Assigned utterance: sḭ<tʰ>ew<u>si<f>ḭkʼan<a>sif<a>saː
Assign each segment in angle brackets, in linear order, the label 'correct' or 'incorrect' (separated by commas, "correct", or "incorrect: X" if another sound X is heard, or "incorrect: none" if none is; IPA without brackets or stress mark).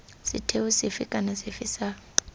correct, correct, correct, correct, incorrect: i